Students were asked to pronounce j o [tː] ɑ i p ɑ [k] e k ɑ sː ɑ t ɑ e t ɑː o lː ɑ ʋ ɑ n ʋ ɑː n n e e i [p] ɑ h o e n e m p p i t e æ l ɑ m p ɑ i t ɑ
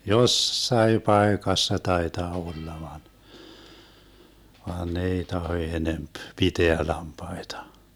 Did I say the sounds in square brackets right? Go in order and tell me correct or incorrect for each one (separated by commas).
incorrect, incorrect, incorrect